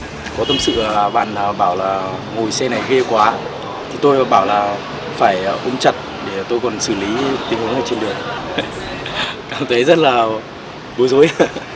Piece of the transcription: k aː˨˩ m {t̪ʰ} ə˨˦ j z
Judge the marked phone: correct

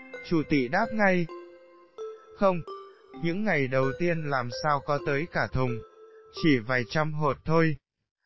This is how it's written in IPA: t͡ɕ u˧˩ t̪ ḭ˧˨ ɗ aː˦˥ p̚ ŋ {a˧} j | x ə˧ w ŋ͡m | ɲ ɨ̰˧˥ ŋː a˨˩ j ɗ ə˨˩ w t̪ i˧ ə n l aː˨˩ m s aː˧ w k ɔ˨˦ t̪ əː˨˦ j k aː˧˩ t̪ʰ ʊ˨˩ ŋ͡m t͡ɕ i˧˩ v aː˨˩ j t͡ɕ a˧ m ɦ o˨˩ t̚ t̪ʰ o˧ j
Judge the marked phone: correct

